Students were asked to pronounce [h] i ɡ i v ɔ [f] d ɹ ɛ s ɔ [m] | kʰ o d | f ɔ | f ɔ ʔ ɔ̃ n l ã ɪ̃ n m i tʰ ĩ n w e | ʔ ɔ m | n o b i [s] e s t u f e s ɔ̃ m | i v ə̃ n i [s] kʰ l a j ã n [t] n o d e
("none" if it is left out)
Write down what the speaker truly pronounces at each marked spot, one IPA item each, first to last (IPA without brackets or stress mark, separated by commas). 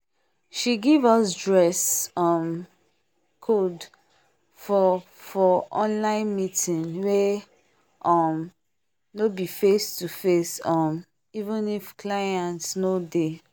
ʃ, s, m, f, f, t